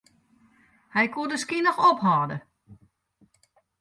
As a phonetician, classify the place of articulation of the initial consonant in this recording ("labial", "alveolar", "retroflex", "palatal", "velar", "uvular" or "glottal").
glottal